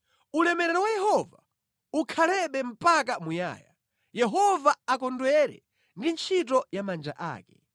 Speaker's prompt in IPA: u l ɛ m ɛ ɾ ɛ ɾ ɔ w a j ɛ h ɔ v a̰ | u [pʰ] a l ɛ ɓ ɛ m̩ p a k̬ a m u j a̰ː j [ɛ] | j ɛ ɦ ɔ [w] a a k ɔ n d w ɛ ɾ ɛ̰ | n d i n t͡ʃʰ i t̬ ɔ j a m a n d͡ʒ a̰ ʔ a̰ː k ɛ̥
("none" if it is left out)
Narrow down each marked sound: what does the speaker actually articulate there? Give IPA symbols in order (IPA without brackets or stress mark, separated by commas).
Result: kʰ, a, v